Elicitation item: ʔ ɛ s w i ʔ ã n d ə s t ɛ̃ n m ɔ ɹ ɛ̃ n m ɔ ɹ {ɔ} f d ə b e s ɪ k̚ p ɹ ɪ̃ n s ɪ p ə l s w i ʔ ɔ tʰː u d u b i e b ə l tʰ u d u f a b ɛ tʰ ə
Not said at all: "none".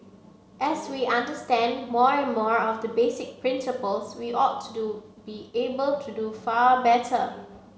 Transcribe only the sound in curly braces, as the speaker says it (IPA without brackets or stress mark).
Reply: ɔ